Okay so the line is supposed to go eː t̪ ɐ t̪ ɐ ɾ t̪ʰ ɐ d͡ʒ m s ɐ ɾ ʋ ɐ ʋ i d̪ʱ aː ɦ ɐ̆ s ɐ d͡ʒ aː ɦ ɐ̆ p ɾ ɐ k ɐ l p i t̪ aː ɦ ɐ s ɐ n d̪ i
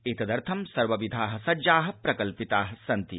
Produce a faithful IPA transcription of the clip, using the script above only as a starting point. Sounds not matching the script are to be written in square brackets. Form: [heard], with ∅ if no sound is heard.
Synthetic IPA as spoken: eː t̪ ɐ [d̪] ɐ ɾ t̪ʰ ɐ [∅] m s ɐ ɾ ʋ ɐ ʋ i d̪ʱ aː ɦ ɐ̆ s ɐ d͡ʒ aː ɦ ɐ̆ p ɾ ɐ k ɐ l p i t̪ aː ɦ ɐ s ɐ n [t̪] i